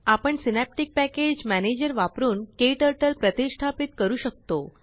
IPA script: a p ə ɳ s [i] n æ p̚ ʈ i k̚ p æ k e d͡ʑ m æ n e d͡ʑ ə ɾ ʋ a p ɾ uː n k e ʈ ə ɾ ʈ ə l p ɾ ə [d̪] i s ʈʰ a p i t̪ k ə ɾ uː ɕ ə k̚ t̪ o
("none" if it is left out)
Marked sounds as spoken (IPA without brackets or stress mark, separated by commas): i, t̪